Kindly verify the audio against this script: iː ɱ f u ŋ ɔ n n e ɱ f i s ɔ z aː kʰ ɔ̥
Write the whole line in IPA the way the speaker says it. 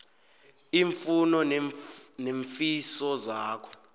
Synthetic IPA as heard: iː ɱ f u n ɔ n n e ɱ f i s ɔ z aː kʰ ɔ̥